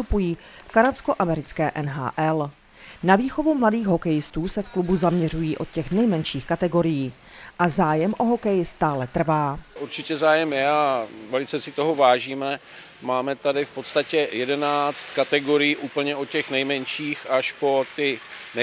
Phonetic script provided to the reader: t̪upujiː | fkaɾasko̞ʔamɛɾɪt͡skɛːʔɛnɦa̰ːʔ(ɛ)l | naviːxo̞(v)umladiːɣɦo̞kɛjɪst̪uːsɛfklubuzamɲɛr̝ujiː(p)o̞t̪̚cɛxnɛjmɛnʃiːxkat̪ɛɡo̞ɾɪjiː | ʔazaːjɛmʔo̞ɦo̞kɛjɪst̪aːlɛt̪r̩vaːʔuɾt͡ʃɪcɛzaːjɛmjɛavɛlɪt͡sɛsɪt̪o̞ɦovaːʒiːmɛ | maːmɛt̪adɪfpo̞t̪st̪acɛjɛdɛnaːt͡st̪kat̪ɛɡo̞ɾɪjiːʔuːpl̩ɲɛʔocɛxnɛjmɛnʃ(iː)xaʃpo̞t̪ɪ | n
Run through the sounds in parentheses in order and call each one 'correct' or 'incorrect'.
correct, correct, incorrect, correct

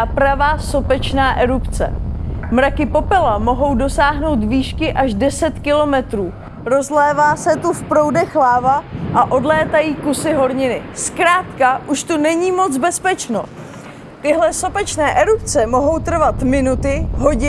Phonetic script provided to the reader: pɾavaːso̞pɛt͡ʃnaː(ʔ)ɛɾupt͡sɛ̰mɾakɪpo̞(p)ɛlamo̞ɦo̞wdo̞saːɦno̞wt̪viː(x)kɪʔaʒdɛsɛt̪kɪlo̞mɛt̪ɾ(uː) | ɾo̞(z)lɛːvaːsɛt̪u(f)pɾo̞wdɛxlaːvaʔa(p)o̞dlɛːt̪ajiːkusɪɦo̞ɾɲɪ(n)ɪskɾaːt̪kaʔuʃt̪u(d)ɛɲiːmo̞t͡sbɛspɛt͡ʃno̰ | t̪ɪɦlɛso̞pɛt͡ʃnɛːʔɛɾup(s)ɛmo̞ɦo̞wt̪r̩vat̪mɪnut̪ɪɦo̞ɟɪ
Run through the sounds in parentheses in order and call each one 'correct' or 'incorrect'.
correct, correct, incorrect, correct, correct, correct, incorrect, correct, incorrect, incorrect

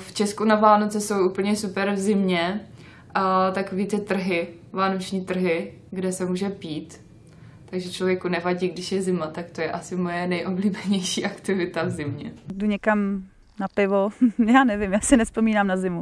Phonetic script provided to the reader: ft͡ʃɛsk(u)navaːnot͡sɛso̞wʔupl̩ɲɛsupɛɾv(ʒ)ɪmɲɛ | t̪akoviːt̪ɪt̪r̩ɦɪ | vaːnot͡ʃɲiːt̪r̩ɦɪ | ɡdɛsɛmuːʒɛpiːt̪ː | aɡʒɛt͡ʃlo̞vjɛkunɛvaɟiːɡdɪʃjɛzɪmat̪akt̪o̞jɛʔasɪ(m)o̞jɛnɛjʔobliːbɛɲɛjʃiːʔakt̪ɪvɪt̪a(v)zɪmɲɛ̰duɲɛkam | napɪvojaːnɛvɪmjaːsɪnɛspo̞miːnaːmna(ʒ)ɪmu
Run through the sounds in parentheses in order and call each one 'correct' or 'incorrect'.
correct, incorrect, correct, correct, incorrect

